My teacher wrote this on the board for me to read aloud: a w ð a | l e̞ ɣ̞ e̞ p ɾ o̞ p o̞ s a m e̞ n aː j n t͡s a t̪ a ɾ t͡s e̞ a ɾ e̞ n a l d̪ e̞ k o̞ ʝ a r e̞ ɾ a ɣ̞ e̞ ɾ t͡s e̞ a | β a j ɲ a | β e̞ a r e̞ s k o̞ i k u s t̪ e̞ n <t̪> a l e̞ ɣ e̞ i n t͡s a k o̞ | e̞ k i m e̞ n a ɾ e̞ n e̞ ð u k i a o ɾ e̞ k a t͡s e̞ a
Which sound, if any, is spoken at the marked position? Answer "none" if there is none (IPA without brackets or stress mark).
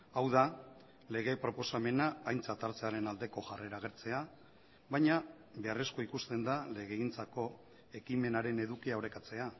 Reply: d̪